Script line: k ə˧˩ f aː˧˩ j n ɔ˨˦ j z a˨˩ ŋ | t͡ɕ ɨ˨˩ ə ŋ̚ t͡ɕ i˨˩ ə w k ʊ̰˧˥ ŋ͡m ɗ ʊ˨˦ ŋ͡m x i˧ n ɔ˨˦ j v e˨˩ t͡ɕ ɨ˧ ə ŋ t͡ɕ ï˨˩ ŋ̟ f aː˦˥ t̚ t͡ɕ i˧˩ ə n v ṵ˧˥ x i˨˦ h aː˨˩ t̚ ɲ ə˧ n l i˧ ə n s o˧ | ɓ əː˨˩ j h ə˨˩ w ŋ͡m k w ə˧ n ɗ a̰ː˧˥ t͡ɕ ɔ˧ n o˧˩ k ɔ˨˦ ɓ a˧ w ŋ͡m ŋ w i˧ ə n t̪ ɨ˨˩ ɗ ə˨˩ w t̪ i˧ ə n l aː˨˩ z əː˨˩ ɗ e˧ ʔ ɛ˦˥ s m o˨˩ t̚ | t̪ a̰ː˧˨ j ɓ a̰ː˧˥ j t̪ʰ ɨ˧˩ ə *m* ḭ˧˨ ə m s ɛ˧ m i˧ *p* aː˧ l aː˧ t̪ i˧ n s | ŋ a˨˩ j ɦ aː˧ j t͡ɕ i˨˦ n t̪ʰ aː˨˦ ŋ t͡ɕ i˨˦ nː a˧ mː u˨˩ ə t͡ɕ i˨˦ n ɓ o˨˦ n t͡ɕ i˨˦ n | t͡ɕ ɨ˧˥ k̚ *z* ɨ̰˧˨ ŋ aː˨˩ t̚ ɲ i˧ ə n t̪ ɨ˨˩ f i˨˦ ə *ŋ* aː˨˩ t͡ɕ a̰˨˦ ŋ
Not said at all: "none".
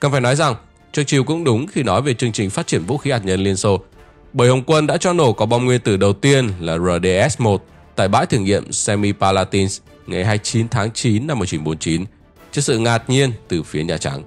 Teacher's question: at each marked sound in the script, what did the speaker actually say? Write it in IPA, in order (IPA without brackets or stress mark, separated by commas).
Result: ŋ, p, s, ɲ